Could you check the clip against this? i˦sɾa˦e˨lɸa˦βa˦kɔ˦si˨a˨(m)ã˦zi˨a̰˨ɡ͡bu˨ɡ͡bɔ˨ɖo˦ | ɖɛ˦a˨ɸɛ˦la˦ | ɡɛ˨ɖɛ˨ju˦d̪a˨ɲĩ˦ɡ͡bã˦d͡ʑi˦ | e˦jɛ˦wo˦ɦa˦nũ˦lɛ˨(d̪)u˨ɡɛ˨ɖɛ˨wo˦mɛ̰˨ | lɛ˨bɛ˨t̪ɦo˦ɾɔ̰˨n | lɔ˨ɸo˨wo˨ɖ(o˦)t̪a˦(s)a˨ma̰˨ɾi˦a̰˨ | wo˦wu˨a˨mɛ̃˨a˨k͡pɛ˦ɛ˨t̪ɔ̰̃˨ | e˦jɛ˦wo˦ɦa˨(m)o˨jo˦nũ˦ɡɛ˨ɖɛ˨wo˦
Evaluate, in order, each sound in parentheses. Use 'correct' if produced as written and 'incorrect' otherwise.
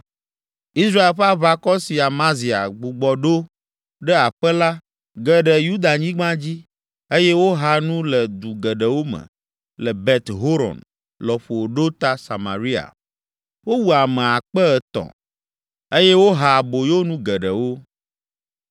correct, correct, correct, correct, incorrect

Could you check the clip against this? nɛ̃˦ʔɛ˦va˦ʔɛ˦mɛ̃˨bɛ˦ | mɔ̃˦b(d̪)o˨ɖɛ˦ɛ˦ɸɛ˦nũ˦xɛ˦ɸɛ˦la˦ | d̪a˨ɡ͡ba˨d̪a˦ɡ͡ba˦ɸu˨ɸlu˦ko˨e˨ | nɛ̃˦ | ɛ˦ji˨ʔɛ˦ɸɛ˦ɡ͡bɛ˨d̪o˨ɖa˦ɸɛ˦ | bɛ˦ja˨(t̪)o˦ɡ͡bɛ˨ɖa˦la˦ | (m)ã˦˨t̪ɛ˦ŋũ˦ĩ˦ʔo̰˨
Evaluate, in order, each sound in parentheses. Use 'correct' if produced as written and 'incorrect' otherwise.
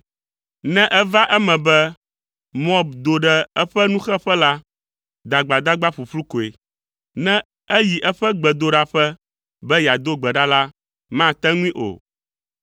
correct, incorrect, correct

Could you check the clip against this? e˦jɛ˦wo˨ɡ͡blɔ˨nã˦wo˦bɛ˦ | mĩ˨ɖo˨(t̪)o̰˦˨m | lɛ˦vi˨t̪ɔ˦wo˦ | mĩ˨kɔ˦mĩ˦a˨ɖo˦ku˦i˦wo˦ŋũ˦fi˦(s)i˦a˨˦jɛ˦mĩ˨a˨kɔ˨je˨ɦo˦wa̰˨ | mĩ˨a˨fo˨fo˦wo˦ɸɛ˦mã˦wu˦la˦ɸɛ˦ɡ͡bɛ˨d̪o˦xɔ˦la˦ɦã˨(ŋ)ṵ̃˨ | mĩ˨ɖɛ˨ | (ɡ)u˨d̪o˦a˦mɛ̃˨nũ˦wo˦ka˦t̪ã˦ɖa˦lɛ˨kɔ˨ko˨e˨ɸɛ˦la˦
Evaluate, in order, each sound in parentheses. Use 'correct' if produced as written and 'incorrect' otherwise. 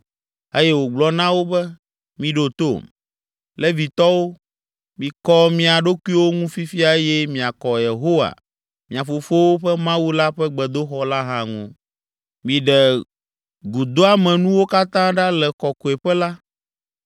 correct, incorrect, correct, correct

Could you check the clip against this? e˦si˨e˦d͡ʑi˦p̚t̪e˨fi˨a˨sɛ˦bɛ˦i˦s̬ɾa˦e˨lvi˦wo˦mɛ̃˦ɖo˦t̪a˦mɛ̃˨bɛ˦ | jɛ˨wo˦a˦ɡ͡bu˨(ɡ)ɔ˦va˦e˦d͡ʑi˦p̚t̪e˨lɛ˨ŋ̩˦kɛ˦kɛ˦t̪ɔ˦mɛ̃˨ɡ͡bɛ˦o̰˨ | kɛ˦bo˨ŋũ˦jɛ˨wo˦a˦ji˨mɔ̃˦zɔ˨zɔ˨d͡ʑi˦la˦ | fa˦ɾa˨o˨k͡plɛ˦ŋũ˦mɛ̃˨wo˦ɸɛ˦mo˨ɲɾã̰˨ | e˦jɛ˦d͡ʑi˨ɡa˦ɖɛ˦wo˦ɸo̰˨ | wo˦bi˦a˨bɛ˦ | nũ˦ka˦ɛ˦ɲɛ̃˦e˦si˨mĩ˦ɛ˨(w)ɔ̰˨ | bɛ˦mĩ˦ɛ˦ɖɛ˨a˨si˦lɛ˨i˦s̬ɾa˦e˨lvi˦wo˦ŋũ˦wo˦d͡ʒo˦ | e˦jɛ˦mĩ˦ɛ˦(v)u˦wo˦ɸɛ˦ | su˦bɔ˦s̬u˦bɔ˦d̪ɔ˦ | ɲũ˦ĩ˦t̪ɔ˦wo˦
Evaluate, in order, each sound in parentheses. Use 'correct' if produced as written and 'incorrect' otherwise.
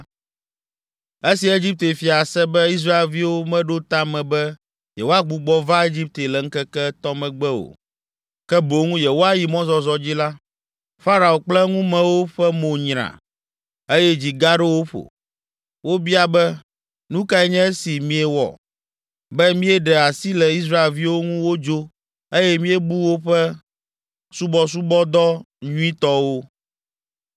incorrect, correct, incorrect

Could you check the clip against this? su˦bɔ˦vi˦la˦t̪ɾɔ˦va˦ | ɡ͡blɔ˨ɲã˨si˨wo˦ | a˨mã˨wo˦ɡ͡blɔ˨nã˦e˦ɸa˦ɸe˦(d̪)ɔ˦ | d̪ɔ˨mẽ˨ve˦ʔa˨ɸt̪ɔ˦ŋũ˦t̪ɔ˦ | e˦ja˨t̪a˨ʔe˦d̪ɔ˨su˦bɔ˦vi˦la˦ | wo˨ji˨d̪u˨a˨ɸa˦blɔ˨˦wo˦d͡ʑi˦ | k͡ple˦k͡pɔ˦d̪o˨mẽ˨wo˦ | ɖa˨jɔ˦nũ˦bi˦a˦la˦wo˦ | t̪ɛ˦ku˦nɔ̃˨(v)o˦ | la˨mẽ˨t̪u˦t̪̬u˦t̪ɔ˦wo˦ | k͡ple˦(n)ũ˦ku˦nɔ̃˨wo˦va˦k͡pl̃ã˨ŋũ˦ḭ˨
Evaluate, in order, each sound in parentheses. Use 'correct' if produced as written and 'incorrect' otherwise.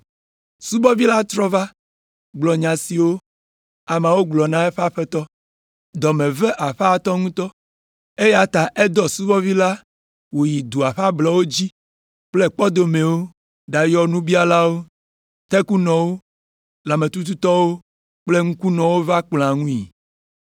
incorrect, incorrect, incorrect

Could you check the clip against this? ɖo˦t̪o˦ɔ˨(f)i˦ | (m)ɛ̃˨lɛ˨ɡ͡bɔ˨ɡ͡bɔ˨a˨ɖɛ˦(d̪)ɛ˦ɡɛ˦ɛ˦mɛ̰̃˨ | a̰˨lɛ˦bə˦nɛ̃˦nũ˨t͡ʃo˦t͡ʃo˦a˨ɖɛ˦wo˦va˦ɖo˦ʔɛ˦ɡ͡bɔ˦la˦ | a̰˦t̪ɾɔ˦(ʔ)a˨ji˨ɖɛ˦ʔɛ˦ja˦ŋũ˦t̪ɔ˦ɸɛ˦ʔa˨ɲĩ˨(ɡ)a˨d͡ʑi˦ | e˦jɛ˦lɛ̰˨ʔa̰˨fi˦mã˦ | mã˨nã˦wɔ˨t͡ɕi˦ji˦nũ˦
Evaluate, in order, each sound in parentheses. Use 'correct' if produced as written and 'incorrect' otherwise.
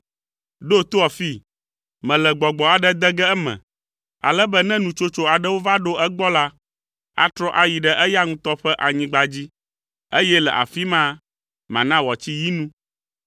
correct, correct, correct, correct, incorrect

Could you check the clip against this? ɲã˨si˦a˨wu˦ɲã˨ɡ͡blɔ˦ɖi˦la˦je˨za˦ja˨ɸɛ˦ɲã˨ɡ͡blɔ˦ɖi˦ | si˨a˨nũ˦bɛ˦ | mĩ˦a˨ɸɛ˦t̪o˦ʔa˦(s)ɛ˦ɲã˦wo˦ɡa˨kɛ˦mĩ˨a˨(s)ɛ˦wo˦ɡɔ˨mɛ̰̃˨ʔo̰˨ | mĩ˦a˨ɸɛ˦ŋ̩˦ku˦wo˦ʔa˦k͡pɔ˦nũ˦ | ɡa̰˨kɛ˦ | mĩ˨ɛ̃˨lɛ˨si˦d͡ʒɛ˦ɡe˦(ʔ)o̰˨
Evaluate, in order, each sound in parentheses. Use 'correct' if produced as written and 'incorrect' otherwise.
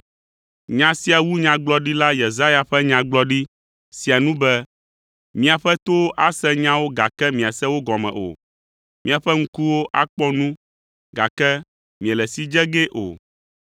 correct, correct, correct

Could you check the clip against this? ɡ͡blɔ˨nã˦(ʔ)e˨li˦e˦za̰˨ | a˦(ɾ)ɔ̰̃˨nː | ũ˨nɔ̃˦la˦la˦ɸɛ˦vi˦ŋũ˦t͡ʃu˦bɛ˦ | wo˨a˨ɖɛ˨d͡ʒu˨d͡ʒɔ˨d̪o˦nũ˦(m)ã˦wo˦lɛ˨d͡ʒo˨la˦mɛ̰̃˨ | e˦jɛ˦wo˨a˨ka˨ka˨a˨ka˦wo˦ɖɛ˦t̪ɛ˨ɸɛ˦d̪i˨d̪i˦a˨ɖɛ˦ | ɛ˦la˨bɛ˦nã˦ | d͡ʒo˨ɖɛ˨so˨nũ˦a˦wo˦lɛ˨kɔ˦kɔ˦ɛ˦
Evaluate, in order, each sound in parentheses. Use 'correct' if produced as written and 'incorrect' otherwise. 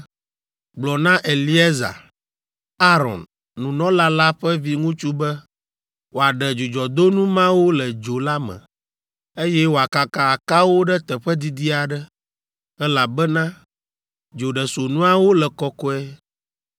correct, correct, correct

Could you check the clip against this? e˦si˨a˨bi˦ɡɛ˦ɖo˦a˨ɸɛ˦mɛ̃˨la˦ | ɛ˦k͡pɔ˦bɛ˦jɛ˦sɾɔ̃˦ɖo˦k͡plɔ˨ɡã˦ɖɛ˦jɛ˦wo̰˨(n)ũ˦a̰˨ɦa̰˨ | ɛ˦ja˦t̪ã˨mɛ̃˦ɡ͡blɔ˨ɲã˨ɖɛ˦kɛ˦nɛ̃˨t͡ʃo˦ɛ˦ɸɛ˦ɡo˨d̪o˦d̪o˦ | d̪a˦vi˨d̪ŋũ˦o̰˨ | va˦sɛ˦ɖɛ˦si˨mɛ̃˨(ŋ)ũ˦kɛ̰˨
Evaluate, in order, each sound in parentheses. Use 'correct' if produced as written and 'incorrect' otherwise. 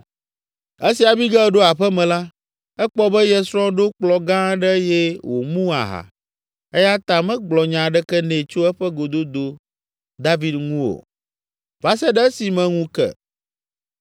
incorrect, correct

